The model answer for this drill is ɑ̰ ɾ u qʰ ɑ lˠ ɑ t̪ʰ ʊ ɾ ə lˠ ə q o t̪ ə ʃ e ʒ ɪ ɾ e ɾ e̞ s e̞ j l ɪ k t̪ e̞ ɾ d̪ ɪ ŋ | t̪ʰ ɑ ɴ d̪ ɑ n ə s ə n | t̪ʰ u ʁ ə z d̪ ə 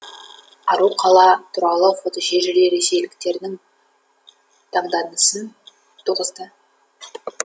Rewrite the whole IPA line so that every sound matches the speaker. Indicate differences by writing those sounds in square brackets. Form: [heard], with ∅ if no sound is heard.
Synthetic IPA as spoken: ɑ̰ ɾ u qʰ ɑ lˠ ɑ t̪ʰ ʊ ɾ [ɑ] lˠ ə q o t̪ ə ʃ e ʒ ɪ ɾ e ɾ e̞ s e̞ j l ɪ k t̪ e̞ ɾ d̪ ɪ ŋ | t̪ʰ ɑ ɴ d̪ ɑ n ə s ə n | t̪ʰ u ʁ ə z d̪ ə